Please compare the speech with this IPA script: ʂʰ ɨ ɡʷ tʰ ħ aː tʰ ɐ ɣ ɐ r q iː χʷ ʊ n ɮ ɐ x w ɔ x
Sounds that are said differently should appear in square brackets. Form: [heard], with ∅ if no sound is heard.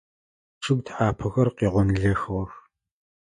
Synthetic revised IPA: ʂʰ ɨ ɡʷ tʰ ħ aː [pʰ] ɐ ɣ ɐ r q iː [ʁʷ] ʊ n ɮ ɐ x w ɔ x